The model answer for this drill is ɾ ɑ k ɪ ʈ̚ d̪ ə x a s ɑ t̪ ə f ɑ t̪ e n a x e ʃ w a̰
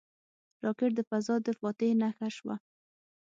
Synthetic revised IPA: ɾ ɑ k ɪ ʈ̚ d̪ ə f a z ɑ d̪ ə f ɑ t̪ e n a x a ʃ w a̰